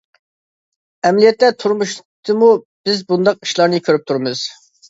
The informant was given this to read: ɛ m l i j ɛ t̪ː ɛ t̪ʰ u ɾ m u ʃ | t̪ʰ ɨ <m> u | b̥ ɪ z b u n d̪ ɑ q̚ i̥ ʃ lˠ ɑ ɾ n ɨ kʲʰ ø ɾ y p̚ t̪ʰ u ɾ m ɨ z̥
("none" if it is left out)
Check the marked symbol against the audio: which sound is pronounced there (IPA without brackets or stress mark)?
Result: m